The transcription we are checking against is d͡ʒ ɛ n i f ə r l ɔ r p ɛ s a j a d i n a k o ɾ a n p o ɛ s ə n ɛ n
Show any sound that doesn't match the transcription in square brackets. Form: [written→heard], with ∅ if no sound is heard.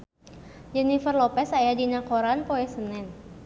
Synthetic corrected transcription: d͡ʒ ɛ n i f ə r l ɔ [r→∅] p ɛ s a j a d i n a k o ɾ a n p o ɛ s ə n ɛ n